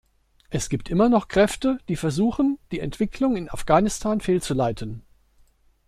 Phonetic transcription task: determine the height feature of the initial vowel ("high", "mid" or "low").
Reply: mid